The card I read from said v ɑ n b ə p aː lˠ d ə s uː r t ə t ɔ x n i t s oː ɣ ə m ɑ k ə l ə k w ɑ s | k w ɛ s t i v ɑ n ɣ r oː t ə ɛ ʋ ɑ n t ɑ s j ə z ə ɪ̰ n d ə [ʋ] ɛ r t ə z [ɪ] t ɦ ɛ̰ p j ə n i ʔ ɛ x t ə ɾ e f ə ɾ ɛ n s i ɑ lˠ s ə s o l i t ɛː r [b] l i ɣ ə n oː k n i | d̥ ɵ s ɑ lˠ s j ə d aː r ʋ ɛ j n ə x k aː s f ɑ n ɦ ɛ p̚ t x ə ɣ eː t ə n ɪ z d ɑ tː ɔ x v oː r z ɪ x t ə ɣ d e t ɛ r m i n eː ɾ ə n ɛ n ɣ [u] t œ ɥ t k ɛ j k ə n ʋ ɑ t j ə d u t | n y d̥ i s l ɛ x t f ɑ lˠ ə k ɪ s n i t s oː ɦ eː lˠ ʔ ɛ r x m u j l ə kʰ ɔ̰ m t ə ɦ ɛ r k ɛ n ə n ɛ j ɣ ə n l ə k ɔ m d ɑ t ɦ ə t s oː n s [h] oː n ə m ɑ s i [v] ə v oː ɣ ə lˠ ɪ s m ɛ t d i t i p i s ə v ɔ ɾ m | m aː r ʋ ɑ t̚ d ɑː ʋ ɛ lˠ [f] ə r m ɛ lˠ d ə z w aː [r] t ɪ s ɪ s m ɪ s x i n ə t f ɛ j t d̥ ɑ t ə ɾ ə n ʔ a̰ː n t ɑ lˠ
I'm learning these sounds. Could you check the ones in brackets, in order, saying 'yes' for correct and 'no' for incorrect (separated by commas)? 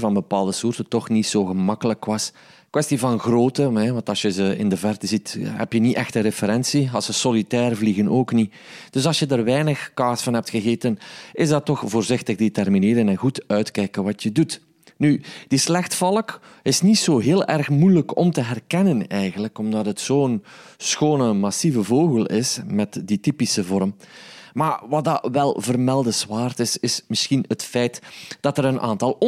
no, no, no, yes, no, yes, no, yes